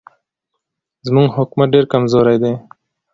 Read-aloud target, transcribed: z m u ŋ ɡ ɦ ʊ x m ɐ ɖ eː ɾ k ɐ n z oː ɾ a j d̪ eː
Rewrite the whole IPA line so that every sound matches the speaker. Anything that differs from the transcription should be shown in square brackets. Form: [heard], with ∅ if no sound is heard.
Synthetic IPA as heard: z m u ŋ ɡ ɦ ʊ [k] m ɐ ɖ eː ɾ k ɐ [m] z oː ɾ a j d̪ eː